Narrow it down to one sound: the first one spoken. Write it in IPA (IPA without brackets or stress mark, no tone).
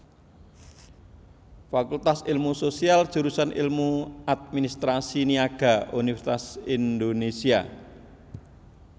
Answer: f